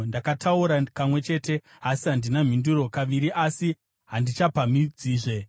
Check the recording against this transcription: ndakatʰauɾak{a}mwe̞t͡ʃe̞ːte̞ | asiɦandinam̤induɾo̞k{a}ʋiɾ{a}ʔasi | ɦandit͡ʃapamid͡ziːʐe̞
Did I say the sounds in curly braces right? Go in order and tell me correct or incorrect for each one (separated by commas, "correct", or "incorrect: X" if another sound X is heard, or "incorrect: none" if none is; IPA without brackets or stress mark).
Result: correct, correct, incorrect: i